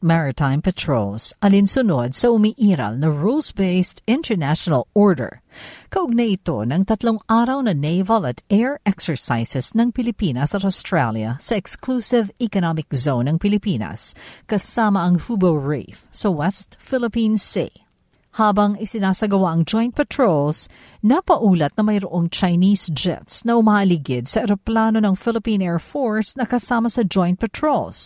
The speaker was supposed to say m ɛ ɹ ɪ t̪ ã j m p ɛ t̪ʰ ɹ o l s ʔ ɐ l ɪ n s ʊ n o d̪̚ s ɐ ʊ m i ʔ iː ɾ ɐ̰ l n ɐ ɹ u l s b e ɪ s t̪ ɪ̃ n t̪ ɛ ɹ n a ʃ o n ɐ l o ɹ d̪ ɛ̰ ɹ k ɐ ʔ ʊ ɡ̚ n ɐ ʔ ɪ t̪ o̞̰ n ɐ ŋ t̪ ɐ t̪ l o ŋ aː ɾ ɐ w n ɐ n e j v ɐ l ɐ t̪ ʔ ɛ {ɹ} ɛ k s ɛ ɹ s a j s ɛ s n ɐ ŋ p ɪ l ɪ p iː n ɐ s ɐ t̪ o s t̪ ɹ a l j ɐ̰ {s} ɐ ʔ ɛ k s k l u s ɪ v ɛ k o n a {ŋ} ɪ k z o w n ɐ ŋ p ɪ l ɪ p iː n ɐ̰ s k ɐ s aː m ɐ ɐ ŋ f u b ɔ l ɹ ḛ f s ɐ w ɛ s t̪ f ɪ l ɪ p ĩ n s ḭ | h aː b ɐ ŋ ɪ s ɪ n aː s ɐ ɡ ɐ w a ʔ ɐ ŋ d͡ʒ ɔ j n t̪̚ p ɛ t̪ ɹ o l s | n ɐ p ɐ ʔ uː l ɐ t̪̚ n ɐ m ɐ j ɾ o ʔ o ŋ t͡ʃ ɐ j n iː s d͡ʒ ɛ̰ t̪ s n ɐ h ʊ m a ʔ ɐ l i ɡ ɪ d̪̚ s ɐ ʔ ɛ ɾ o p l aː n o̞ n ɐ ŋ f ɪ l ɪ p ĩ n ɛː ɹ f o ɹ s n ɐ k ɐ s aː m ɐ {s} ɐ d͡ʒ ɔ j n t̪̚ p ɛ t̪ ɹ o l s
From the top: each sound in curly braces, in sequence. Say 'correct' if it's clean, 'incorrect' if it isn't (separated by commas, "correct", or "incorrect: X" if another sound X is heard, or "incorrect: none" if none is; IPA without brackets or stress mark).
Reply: correct, correct, incorrect: m, correct